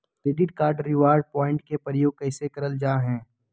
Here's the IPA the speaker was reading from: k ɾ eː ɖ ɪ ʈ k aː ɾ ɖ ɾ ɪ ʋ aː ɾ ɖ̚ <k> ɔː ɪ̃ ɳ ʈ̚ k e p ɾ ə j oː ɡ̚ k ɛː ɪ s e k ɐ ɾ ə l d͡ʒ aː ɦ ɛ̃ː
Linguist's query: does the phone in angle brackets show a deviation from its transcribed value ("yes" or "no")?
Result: yes